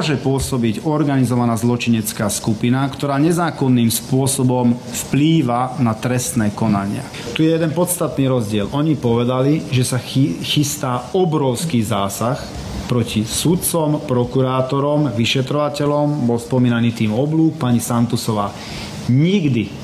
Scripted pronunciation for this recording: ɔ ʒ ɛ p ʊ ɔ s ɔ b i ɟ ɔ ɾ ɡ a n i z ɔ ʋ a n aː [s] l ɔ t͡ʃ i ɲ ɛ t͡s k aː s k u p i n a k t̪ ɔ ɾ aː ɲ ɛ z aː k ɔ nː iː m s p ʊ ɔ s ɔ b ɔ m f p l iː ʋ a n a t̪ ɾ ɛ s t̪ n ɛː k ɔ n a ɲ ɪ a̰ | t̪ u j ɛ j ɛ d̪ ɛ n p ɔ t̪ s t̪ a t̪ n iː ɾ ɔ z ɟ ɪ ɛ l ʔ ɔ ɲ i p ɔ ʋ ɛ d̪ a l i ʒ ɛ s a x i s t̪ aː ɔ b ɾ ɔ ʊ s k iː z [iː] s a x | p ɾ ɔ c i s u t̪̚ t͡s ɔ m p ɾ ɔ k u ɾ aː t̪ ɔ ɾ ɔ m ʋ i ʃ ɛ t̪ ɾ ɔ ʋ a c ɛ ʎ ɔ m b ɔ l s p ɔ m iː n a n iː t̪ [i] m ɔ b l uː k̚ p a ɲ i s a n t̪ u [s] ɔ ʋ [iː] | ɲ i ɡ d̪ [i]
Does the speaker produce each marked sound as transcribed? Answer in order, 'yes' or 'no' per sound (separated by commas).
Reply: no, no, no, yes, no, yes